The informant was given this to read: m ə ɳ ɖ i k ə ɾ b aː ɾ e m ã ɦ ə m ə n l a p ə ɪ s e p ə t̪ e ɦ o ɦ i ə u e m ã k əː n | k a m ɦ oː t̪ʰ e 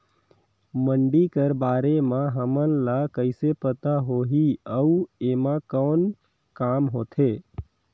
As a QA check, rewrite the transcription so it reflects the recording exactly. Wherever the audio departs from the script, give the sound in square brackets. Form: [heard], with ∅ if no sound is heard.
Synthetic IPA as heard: m ə ɳ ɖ i k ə ɾ b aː ɾ e m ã ɦ ə m ə n l a [k] ə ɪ s e p ə t̪ [a] ɦ o ɦ i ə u e m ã k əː n | k a m ɦ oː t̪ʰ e